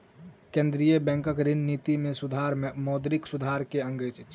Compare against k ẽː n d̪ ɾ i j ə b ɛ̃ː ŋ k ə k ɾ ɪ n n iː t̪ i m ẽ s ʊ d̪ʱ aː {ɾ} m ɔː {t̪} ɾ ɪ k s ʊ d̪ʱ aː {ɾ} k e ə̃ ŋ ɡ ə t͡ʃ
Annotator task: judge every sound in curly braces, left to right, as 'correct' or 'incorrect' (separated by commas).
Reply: correct, incorrect, correct